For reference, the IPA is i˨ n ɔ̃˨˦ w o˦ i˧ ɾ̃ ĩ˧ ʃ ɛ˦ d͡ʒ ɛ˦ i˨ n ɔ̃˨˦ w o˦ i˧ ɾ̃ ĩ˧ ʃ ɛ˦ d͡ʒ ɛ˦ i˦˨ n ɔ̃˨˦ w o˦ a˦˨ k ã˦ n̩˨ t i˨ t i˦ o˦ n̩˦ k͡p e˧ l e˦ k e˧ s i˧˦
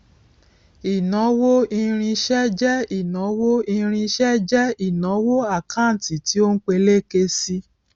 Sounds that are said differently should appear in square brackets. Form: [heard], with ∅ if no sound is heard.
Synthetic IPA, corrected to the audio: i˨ n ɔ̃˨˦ w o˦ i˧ ɾ̃ ĩ˧ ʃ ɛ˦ d͡ʒ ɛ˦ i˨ n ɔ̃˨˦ w o˦ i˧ ɾ̃ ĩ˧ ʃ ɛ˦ d͡ʒ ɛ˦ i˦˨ n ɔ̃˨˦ w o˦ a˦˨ k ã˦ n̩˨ t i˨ t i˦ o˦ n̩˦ k͡p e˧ l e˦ k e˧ s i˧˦